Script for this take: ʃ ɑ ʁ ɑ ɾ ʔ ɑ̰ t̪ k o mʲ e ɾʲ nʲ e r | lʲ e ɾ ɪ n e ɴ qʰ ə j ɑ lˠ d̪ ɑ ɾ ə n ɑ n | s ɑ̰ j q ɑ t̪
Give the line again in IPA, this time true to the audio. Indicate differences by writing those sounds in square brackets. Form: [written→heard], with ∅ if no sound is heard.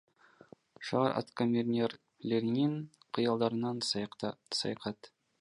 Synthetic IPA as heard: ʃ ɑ ʁ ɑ ɾ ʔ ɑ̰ t̪ k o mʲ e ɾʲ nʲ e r | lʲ e ɾ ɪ n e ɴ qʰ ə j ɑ lˠ d̪ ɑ ɾ ə n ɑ n | s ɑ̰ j q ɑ t̪